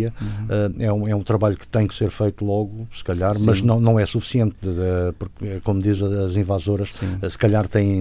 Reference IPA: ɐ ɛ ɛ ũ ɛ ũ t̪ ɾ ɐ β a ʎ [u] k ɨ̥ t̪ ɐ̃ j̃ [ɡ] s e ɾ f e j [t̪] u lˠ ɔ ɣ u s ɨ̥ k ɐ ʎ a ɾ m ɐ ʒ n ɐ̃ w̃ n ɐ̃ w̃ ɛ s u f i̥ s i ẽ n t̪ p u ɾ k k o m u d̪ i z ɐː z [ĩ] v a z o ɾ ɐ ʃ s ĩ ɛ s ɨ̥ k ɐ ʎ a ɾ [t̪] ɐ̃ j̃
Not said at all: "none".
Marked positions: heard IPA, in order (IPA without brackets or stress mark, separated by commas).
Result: u, k, t̪, ĩ, t̪